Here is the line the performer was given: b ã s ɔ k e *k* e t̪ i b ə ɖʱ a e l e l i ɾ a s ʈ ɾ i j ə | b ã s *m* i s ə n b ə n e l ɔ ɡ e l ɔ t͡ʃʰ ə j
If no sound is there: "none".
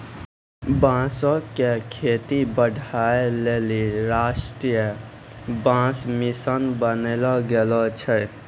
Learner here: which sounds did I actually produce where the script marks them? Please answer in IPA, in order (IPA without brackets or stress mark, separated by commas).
kʰ, m